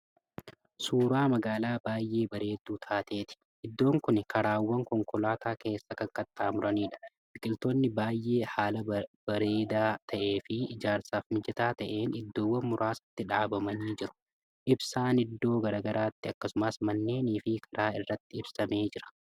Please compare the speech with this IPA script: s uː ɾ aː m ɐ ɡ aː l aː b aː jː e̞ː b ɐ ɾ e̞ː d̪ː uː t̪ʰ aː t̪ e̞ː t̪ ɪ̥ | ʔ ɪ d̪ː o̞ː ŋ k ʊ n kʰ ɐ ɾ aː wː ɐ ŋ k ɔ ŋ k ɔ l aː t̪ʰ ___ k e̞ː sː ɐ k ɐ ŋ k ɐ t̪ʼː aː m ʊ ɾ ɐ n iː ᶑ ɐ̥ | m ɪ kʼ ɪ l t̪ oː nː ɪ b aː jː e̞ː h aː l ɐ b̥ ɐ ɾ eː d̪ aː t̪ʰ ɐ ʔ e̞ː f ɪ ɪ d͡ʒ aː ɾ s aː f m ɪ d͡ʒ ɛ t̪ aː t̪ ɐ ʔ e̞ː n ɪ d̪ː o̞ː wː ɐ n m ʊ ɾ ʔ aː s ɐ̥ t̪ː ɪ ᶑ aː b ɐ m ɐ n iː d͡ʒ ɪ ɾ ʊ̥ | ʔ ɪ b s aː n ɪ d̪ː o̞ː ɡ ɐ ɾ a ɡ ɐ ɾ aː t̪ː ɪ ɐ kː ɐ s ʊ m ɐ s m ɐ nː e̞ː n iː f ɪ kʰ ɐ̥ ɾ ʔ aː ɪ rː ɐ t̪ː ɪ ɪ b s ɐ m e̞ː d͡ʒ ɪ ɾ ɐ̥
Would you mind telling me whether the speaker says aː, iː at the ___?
aː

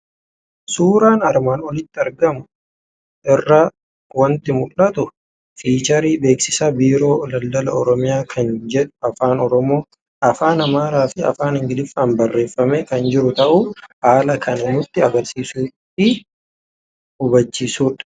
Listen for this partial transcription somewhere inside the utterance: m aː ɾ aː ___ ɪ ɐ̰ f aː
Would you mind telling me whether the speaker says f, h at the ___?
f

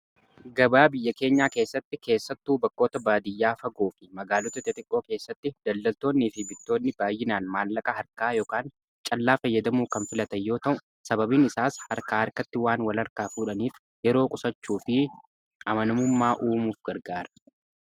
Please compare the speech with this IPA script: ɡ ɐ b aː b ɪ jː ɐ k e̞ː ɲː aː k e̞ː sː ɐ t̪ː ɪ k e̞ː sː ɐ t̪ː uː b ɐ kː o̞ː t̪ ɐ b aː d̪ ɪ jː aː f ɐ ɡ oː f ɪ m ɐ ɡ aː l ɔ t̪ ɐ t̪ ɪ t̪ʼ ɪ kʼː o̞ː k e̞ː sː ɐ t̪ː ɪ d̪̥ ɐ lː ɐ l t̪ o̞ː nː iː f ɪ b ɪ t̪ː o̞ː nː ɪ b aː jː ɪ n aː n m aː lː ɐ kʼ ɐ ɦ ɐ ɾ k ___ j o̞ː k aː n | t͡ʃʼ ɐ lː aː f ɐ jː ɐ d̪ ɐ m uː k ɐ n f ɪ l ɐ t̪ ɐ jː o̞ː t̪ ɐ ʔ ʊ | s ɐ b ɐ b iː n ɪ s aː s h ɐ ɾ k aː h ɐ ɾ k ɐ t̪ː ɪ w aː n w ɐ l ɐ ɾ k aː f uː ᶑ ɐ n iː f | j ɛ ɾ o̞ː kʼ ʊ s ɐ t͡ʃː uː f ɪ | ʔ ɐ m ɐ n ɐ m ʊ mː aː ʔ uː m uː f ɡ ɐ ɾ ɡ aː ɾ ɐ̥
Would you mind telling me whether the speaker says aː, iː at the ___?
aː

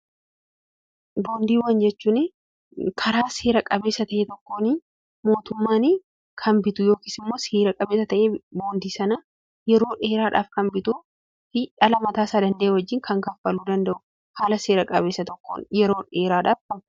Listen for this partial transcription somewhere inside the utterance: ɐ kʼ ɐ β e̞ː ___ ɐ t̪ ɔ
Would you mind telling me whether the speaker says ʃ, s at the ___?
s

